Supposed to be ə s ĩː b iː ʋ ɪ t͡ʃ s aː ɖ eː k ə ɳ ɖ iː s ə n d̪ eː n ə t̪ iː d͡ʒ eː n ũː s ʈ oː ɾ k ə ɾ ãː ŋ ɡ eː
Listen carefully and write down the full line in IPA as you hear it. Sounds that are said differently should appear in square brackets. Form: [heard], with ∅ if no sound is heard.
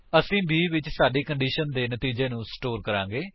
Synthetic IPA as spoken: ə s ĩː b iː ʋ ɪ t͡ʃ s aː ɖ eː k ə ɳ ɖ iː [ʃ] ə n d̪ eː n ə t̪ iː d͡ʒ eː n ũː s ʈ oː ɾ k ə ɾ ãː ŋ ɡ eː